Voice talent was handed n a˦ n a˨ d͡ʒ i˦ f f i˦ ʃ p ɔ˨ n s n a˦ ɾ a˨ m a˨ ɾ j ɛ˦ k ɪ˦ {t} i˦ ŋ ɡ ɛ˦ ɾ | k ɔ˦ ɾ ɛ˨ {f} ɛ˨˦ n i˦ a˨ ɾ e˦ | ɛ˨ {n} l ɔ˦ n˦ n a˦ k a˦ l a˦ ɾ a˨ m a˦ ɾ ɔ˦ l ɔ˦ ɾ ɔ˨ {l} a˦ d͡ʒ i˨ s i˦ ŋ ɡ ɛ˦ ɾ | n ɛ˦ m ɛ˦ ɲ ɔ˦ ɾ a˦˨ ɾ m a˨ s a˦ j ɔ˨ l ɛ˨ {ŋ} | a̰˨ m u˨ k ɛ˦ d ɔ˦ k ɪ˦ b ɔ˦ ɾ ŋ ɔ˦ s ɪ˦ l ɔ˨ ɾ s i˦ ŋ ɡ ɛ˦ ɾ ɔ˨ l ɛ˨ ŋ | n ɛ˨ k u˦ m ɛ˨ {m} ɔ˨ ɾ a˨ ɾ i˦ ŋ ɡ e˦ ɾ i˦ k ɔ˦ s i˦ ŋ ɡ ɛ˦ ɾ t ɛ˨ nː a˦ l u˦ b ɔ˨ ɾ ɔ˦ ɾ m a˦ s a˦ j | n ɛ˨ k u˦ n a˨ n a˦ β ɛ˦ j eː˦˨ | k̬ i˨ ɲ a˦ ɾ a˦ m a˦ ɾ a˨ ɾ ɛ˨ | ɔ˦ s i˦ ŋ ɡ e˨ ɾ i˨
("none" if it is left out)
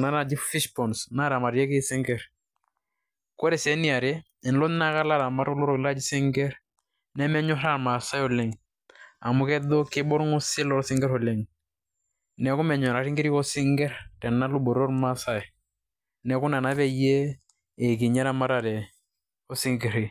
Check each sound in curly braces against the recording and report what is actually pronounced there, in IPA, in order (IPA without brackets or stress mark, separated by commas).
s, s, n, l, ŋ, ɲ